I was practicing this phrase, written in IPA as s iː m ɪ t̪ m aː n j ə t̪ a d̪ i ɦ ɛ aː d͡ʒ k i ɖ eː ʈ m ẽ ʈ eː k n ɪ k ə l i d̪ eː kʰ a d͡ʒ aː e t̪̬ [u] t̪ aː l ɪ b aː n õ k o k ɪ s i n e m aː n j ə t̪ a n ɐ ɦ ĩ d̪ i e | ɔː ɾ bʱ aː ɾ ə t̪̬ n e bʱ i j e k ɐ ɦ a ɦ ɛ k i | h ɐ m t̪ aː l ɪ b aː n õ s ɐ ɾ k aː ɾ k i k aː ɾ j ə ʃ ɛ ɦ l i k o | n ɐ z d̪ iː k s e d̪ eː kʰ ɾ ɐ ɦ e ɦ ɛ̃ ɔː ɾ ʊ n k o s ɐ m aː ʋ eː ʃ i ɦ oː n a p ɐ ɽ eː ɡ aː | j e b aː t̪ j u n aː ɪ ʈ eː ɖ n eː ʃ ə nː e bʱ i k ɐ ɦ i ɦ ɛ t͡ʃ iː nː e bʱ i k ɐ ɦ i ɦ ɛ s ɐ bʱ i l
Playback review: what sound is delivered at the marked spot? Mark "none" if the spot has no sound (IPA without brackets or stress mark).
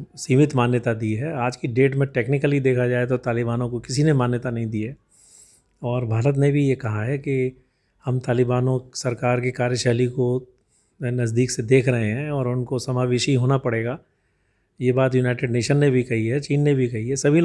o